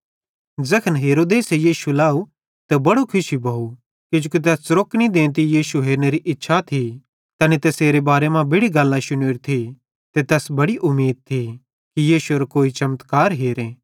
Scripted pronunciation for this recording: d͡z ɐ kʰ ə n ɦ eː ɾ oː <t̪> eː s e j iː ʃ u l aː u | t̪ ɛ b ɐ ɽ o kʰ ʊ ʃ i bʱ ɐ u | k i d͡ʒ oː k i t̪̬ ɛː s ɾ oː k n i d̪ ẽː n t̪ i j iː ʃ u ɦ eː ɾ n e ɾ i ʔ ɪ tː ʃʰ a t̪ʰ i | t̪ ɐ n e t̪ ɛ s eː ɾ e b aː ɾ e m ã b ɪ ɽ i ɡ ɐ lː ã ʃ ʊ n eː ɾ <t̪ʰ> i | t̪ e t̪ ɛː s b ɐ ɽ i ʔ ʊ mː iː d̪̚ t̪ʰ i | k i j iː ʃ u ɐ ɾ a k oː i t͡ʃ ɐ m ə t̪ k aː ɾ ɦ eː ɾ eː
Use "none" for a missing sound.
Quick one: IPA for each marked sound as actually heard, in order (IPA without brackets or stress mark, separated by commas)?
d̪, t̪ʰ